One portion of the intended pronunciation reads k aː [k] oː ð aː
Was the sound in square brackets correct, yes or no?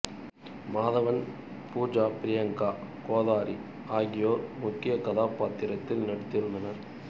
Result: yes